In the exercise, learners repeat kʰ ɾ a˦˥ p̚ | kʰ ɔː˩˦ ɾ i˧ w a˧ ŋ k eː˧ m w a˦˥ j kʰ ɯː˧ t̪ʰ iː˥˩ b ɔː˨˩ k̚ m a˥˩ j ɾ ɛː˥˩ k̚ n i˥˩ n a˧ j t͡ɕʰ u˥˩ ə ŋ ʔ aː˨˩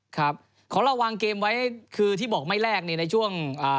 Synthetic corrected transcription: kʰ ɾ a˦˥ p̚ | kʰ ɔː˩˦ ɾ a˧ w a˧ ŋ k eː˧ m w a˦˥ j kʰ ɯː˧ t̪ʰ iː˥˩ b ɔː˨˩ k̚ m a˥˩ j ɾ ɛː˥˩ k̚ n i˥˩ n a˧ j t͡ɕʰ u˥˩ ə ŋ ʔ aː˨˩